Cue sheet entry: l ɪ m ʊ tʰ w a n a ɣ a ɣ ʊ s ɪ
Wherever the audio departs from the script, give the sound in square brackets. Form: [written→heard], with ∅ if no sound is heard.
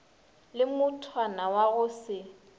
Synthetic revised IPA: l ɪ m ʊ tʰ w a n a [ɣ→w] a ɣ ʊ s ɪ